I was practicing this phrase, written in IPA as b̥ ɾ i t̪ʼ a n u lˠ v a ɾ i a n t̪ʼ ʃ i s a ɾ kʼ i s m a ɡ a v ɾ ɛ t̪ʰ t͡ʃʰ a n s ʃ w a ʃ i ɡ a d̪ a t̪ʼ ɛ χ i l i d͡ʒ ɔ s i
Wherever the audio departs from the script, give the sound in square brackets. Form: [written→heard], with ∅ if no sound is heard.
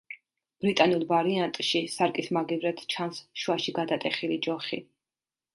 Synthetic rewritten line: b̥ ɾ i t̪ʼ a n u lˠ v a ɾ i a n t̪ʼ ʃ i s a ɾ kʼ i s m a ɡ [a→i] v ɾ ɛ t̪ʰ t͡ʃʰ a n s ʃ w a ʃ i ɡ a d̪ a t̪ʼ ɛ χ i l i d͡ʒ ɔ [s→χ] i